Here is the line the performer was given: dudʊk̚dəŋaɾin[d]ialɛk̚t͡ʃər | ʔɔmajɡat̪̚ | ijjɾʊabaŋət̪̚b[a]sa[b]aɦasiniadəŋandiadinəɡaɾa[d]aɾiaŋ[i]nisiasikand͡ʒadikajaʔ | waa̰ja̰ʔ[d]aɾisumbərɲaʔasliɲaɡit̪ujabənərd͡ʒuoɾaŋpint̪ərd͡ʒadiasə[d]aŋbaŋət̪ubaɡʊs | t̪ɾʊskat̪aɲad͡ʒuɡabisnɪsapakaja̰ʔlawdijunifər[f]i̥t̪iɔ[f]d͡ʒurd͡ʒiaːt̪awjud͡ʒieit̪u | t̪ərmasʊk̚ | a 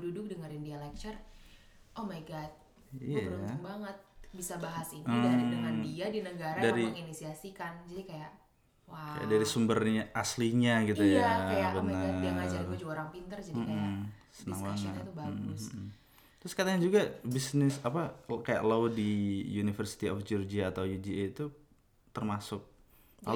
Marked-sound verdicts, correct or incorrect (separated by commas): correct, incorrect, correct, correct, correct, correct, incorrect, incorrect, correct